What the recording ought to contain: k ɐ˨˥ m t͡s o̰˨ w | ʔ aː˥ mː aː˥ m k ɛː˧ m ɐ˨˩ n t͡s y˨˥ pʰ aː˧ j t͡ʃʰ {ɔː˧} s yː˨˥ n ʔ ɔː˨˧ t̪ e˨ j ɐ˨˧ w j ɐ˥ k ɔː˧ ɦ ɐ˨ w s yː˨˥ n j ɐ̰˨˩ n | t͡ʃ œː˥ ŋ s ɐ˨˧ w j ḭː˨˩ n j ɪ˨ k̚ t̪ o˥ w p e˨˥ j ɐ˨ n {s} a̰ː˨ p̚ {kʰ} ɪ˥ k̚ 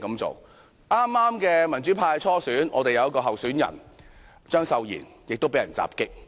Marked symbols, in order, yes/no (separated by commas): no, no, no